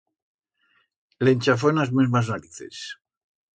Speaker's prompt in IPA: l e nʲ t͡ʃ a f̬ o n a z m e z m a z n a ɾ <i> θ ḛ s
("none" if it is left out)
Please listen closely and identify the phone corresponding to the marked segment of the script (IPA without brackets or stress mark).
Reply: i